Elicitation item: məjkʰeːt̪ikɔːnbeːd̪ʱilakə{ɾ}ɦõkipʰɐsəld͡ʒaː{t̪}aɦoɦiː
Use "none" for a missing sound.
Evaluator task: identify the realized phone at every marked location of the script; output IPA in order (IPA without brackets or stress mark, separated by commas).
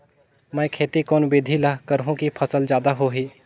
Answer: ɾ, d̪